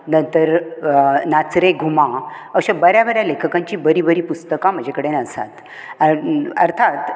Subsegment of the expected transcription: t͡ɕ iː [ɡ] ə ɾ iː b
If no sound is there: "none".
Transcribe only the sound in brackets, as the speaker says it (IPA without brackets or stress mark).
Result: b